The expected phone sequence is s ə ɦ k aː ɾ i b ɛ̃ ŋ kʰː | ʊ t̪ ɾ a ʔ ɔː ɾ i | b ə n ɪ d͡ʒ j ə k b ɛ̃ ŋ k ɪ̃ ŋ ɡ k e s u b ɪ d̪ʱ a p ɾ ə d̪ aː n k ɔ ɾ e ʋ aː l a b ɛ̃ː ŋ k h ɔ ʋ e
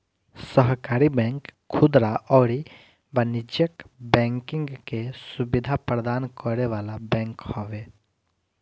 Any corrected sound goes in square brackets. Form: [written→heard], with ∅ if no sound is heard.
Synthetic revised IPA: s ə ɦ k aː ɾ i b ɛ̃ ŋ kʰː | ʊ [t̪→d̪] ɾ a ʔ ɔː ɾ i | b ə n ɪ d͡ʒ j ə k b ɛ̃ ŋ k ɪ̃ ŋ ɡ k e s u b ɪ d̪ʱ a p ɾ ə d̪ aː n k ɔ ɾ e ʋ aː l a b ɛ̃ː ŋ k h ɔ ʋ e